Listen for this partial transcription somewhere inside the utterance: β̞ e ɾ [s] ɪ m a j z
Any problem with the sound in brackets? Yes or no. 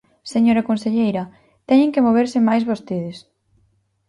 no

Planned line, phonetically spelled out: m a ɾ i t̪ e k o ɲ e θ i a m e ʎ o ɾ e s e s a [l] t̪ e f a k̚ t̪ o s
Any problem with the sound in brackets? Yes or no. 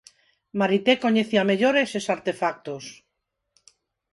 yes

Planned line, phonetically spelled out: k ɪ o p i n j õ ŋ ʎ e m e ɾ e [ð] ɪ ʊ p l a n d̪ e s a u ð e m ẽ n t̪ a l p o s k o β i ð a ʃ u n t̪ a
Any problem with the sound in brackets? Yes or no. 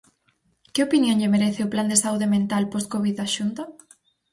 yes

